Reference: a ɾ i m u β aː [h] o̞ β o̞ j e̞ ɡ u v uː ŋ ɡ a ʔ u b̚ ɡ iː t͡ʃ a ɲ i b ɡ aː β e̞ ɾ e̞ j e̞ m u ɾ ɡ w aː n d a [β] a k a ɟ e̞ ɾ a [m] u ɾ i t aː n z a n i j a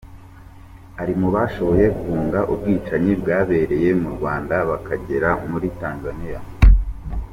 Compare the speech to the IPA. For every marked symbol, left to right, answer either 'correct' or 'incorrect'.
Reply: incorrect, correct, correct

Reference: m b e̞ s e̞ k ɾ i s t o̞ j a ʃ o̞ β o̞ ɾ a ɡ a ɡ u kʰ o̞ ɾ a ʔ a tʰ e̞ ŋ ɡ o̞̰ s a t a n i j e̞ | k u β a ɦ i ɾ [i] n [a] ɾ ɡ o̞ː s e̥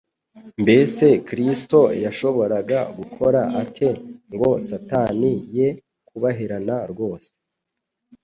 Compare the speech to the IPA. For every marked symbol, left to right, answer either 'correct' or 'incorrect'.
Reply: incorrect, correct

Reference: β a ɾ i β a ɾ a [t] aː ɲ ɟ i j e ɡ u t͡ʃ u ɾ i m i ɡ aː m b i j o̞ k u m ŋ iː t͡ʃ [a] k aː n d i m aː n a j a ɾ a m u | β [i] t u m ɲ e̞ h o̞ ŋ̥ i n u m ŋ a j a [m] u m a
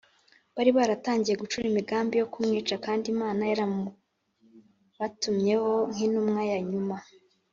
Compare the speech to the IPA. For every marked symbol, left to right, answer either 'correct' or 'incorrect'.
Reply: correct, correct, incorrect, incorrect

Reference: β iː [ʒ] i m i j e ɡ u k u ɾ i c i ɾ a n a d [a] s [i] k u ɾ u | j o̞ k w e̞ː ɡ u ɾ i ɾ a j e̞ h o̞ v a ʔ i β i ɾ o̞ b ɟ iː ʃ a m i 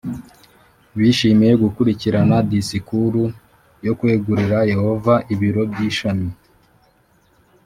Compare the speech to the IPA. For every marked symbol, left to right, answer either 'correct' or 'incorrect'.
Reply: incorrect, incorrect, correct

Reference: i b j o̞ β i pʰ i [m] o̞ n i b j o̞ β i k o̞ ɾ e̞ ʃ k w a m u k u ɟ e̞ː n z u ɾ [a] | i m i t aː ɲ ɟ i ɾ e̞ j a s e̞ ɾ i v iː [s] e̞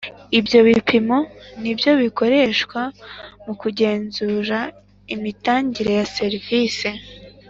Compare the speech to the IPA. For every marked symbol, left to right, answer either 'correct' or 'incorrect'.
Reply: correct, correct, correct

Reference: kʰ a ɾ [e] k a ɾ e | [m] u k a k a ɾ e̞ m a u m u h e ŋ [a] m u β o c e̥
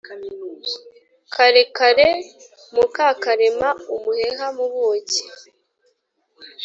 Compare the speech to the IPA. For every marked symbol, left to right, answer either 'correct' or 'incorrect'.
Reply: correct, correct, correct

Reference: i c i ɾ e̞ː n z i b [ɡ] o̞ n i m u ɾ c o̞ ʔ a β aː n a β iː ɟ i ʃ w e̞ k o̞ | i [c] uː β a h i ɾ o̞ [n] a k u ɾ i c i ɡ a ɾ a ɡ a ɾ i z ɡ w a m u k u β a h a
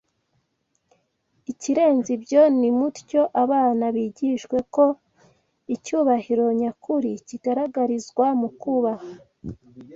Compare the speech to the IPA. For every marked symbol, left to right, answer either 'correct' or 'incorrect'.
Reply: incorrect, correct, incorrect

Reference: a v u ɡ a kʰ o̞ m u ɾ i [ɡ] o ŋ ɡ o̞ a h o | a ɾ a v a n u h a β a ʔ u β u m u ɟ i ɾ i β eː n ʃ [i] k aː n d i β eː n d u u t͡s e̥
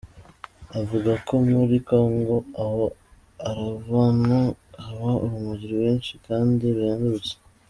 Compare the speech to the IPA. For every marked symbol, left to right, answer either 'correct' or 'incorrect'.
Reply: incorrect, correct

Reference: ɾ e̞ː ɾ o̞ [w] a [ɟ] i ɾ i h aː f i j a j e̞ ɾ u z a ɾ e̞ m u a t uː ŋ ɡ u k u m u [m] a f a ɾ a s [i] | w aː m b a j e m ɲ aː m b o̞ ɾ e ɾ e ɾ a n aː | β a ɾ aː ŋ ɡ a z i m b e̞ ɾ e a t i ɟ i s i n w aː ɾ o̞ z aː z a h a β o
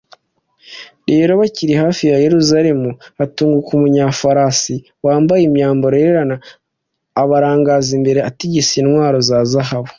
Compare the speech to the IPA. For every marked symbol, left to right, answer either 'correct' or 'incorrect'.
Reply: incorrect, incorrect, incorrect, correct

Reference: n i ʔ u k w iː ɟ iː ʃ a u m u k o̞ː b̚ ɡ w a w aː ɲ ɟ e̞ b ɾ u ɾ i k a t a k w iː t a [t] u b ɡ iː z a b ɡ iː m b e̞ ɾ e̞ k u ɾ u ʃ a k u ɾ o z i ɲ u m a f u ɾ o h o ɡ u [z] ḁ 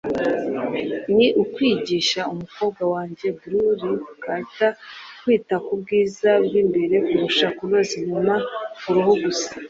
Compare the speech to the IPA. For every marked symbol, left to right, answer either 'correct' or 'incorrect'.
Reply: incorrect, incorrect

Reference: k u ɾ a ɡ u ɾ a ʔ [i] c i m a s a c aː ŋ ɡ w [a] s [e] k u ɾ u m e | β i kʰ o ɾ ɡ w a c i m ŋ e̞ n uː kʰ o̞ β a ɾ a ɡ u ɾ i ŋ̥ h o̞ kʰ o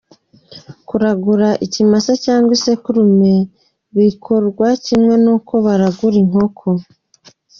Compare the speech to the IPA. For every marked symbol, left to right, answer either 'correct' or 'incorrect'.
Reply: correct, incorrect, correct

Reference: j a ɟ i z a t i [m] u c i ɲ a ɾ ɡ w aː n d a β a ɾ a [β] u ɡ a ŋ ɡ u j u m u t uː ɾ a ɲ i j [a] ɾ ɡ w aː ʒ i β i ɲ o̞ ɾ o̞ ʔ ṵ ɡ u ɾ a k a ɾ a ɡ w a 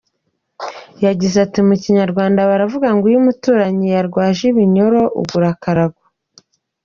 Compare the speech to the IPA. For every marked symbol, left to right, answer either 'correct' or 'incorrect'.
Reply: correct, incorrect, correct

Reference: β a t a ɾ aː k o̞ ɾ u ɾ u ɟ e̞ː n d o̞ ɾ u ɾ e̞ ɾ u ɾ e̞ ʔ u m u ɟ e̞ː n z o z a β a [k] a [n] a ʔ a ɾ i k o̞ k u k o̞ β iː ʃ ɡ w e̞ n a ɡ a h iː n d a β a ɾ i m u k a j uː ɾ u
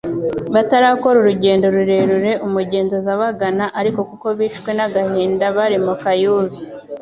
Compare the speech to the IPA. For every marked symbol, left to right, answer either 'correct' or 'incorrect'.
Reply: incorrect, correct

